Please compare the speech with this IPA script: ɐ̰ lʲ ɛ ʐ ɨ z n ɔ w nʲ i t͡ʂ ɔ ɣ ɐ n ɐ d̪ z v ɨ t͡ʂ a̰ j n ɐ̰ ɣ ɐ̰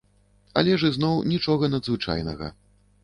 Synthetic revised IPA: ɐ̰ lʲ ɛ ʐ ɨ z n ɔ w nʲ i t͡ʂ ɔ ɣ ɐ n ɐ d̪ z v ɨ t͡ʂ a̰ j n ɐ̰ ɣ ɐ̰